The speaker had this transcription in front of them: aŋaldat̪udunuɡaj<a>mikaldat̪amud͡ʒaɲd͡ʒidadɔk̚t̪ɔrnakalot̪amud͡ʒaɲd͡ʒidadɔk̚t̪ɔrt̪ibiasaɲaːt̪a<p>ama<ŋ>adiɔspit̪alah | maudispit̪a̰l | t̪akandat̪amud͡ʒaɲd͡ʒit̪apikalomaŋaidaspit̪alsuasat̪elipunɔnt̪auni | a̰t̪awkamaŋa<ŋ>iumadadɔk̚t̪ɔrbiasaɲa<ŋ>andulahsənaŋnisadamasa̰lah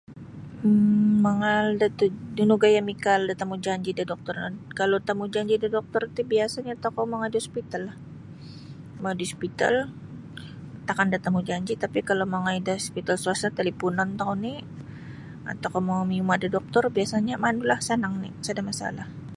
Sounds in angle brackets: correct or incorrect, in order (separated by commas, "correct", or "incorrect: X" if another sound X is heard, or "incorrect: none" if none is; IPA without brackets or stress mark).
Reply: correct, incorrect: k, correct, incorrect: m, incorrect: m